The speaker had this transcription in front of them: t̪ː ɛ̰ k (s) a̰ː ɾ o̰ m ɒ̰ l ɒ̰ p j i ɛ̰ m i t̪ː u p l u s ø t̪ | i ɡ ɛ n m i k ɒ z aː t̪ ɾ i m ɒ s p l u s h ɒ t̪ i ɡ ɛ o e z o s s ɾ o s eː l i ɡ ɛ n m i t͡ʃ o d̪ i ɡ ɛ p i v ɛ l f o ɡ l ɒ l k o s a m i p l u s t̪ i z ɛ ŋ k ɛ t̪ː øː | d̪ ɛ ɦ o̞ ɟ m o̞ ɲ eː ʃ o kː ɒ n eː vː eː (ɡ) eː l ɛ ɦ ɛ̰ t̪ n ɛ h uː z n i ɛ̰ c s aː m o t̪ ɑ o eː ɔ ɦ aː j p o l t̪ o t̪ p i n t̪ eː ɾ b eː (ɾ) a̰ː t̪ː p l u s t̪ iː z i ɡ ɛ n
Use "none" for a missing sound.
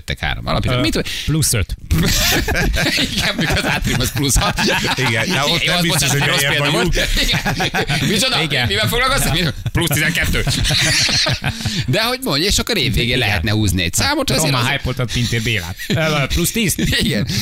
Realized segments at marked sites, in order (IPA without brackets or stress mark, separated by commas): h, ɡ, l